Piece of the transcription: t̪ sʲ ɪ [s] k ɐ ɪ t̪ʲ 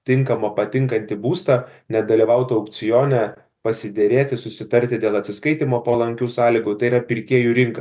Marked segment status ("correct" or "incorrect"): correct